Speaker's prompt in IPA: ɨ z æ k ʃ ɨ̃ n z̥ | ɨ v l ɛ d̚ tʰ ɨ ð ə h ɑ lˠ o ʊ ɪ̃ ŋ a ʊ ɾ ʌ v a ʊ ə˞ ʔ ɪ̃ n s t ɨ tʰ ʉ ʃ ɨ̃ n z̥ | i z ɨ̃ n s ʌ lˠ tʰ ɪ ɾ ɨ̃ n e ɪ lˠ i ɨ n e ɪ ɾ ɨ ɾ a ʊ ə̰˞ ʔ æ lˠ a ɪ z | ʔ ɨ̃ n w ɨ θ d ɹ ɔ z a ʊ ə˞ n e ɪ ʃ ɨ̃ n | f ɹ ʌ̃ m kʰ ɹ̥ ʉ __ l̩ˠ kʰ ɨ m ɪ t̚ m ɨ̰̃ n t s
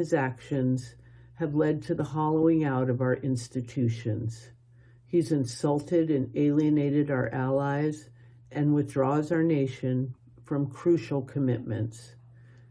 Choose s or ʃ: ʃ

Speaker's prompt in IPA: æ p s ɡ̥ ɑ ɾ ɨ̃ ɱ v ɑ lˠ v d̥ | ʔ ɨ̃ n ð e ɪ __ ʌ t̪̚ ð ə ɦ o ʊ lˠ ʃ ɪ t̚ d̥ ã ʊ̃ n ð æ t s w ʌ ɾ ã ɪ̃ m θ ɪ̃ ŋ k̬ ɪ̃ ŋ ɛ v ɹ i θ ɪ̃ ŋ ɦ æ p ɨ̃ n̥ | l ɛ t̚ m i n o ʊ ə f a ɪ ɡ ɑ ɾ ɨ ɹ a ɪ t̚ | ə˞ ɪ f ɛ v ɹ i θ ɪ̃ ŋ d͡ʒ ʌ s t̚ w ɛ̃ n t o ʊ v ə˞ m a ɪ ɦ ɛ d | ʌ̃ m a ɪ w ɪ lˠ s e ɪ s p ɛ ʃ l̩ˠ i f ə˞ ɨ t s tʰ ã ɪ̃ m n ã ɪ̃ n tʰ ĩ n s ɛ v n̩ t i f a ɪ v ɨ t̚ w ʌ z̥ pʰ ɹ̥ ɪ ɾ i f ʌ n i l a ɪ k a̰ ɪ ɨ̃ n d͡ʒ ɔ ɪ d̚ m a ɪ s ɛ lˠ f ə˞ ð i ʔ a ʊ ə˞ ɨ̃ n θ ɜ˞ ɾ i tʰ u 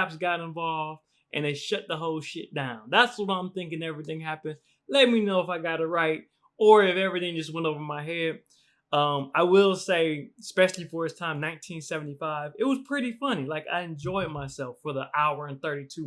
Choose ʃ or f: ʃ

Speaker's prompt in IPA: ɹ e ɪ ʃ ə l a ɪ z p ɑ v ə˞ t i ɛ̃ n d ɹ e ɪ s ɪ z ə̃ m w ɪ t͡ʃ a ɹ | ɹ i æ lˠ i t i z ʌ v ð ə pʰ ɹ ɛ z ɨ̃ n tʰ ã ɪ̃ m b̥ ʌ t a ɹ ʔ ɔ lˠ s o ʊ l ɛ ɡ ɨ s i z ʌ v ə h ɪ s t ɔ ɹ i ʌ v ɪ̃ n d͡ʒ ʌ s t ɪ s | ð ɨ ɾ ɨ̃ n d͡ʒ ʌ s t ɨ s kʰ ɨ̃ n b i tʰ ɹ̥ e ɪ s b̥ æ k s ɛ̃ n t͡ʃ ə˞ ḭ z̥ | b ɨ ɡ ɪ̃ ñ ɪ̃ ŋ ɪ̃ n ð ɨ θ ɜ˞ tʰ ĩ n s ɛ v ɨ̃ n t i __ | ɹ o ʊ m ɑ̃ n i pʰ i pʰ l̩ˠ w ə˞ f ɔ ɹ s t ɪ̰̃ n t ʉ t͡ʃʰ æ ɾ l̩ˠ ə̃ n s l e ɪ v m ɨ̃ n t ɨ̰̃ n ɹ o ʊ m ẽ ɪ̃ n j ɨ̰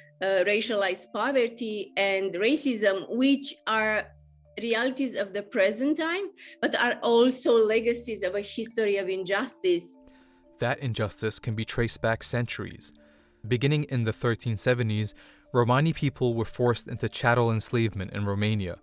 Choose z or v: z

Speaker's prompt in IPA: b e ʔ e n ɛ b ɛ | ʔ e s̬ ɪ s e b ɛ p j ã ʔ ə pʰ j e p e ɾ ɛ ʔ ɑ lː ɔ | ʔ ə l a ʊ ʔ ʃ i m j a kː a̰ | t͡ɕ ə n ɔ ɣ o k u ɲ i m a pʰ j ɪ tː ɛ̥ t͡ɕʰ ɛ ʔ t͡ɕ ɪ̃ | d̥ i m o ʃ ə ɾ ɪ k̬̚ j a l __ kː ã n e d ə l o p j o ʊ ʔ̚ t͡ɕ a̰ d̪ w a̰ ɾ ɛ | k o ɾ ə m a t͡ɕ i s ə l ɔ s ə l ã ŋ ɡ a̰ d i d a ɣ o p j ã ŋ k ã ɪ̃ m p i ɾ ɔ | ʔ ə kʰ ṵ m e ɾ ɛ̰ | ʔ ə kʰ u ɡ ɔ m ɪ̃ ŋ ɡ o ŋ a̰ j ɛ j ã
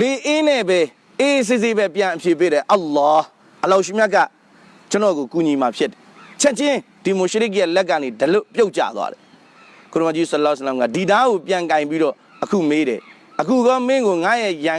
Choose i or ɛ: ɛ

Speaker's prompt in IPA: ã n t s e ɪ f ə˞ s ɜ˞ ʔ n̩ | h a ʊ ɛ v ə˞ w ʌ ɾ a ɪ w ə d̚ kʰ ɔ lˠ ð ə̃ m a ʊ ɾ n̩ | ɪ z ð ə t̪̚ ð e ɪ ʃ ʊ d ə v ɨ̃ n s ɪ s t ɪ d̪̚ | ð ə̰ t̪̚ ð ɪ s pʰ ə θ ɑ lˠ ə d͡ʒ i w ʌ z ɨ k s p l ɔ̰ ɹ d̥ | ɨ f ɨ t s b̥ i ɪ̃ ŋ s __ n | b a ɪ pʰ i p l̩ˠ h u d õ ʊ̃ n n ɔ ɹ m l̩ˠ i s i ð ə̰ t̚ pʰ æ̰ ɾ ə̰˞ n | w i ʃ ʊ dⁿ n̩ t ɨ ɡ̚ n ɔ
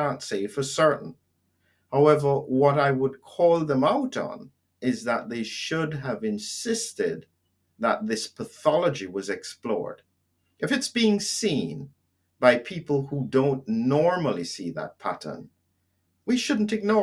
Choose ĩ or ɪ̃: ĩ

